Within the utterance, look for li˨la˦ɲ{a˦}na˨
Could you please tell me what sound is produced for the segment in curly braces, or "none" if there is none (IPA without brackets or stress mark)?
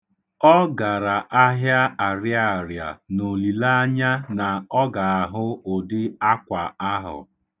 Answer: a˦